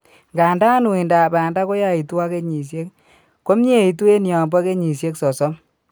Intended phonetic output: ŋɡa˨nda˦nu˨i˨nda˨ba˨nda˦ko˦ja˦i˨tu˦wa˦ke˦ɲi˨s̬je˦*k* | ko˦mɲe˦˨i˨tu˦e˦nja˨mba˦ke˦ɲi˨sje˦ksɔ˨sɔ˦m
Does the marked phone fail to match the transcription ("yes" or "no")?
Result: no